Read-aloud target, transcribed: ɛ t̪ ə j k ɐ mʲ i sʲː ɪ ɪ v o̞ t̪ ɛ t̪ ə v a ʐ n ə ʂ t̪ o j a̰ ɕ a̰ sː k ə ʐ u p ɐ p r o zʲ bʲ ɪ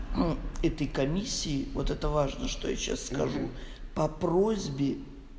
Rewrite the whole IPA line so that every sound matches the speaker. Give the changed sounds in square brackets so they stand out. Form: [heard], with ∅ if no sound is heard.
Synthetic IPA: ɛ t̪ ə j k ɐ mʲ i sʲː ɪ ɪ v o̞ t̪ ɛ t̪ ə v a ʐ n ə ʂ t̪ o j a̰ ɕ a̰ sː k [ɐ] ʐ u p ɐ p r o zʲ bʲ ɪ